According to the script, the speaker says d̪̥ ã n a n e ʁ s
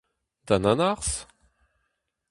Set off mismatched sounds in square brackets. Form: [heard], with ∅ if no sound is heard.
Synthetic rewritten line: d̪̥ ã n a n [a] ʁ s

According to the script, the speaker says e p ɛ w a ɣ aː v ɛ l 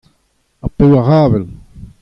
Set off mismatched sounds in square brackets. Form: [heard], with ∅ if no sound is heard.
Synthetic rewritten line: [a] p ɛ w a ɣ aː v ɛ l

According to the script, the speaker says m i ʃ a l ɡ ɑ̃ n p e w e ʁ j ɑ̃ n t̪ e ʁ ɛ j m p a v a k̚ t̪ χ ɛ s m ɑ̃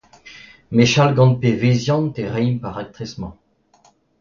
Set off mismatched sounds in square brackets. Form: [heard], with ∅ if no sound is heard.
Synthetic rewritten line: m [e] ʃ a l ɡ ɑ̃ n p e [v] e [z] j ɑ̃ n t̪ e ʁ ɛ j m p a [ʁ] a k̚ t̪ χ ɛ s m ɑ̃

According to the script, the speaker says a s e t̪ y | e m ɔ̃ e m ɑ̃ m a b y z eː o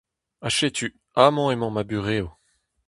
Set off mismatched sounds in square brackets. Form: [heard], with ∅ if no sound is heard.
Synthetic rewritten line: a [ʃ] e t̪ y | [a] m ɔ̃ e m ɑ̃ m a b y [ʁ] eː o

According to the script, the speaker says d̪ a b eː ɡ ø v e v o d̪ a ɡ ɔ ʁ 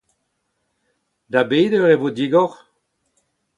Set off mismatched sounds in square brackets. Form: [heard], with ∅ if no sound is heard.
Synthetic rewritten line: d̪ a b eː [d] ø [ʁ] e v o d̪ [i] ɡ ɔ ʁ

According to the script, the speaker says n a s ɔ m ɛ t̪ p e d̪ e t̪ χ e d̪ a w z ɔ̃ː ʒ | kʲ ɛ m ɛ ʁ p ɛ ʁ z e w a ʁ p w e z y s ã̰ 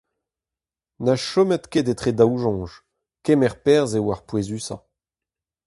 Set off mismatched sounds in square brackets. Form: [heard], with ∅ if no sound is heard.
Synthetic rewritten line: n a [ʃ] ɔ m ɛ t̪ [k] e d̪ e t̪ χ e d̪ a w [ʒ] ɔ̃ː ʒ | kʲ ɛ m ɛ ʁ p ɛ ʁ z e w a ʁ p w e z y s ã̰

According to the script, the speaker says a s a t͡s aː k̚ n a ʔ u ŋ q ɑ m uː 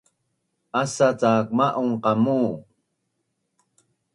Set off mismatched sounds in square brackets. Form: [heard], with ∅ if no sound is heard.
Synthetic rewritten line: a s a t͡s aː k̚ [m] a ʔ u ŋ q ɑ m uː

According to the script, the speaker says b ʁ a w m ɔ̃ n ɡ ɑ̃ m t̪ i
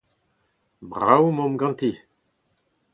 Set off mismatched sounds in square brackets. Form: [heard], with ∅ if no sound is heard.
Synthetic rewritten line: b ʁ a w m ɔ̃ [m] ɡ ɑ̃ [n] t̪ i

